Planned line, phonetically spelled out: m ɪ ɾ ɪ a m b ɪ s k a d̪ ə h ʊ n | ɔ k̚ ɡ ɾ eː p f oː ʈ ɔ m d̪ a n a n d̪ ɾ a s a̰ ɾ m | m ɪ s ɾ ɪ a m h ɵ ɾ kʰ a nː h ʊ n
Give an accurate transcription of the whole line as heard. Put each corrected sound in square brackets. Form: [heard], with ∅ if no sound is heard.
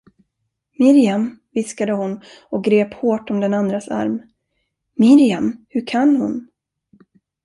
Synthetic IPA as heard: m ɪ ɾ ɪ a m [v] ɪ s k a d̪ ə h ʊ n | ɔ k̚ ɡ ɾ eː p [h] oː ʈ ɔ m d̪ [ɛ] n a n d̪ ɾ a s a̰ ɾ m | m ɪ [∅] ɾ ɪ a m h ɵ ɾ kʰ a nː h ʊ n